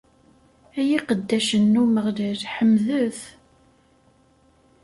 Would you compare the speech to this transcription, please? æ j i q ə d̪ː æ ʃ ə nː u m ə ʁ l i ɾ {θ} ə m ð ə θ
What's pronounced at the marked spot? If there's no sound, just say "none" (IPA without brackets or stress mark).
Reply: ħ